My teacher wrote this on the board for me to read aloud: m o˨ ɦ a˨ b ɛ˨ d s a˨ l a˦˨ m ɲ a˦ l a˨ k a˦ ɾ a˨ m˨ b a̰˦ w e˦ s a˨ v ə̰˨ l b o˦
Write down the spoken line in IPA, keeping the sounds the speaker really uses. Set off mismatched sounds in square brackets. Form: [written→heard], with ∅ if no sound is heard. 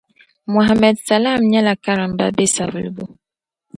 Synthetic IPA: m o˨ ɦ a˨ [b→m] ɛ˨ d s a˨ l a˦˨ m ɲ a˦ l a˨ k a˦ ɾ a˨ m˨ b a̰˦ [w→b] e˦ s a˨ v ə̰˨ l b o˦